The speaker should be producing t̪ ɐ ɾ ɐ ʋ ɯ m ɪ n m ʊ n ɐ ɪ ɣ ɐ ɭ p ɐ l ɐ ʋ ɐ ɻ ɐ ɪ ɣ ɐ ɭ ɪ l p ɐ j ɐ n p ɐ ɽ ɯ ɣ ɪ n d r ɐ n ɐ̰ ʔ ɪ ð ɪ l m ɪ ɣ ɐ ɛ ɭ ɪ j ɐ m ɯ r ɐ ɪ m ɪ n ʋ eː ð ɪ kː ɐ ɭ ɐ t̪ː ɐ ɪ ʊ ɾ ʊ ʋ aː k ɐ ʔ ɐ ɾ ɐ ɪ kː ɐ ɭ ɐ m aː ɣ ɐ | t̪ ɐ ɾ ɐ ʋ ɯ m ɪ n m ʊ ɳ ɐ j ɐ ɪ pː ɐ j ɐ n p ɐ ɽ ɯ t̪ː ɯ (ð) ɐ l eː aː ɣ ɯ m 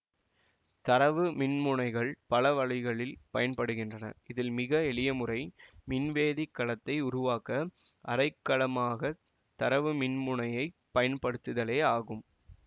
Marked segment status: correct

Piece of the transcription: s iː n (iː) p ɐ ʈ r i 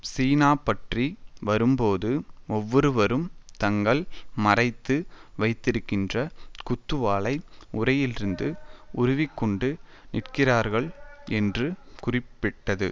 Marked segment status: incorrect: aː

